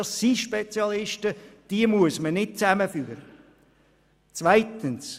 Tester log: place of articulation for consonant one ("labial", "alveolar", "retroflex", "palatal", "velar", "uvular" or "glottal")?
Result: alveolar